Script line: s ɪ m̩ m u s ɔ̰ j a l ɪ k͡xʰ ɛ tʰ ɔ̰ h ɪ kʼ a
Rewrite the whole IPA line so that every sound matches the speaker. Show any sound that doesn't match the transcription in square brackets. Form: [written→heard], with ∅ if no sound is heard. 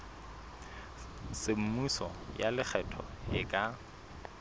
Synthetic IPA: s ɪ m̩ m u s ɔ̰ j a l ɪ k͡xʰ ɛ tʰ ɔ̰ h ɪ kʼ a